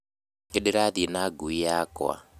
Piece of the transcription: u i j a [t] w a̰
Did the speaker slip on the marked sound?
yes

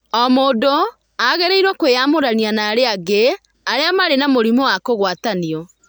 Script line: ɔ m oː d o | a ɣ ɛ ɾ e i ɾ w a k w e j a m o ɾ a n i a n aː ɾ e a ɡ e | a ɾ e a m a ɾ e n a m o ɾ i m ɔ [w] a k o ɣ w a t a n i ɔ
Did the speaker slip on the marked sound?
no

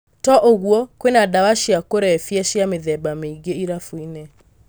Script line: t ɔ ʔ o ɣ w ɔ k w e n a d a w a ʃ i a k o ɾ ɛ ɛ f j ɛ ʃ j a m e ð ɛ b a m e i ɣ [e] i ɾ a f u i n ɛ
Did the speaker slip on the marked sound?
no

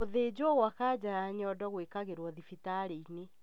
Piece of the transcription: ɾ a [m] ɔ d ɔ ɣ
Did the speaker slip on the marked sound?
yes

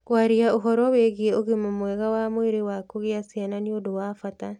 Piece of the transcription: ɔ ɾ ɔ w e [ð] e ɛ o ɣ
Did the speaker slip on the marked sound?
yes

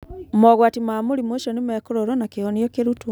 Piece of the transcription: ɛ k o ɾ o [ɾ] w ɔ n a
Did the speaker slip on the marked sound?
no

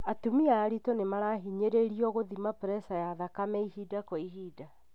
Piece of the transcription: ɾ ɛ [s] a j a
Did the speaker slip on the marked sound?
no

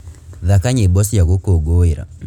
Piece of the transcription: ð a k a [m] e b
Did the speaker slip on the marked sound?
yes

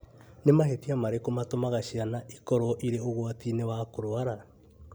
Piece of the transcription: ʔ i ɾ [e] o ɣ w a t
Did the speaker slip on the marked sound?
no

